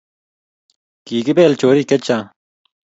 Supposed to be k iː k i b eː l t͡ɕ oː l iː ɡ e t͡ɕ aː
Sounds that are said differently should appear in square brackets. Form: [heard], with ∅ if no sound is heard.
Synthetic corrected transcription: k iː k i b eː l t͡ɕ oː [ɾ] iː [k] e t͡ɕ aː